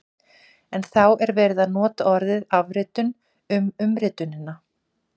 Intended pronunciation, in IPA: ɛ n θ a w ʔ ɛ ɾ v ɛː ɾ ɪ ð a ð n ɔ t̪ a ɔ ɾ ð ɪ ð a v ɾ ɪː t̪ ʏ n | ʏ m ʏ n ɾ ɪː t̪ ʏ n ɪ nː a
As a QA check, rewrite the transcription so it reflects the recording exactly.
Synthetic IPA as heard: ɛ n θ a w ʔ ɛ ɾ v ɛː ɾ ɪ ð a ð n ɔː t̪ a ɔ ɾ ð ɪ ð a v ɾ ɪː t̪ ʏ n | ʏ m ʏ m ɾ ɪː t̪ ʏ n ɪ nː a